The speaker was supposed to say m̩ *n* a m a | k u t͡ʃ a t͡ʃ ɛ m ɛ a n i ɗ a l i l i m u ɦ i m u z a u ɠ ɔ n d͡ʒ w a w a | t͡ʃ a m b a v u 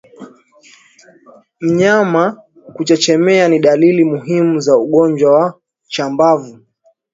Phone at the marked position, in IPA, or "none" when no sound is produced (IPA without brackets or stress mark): ɲ